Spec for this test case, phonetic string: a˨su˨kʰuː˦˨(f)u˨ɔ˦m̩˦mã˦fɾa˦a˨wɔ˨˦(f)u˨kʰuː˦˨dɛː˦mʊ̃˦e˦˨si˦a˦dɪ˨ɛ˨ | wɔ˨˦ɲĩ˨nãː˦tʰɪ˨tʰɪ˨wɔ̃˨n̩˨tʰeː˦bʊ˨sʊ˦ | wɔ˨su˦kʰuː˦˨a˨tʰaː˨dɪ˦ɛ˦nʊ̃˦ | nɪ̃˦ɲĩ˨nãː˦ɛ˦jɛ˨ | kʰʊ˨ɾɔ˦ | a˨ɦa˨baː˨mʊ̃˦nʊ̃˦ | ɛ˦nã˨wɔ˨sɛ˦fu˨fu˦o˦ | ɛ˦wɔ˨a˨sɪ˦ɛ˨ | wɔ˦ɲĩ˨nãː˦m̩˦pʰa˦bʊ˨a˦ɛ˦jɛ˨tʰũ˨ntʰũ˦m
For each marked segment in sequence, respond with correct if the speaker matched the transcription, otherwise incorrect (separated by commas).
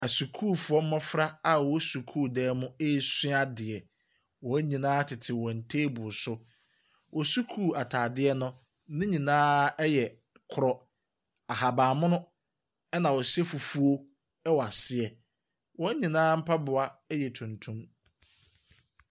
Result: correct, incorrect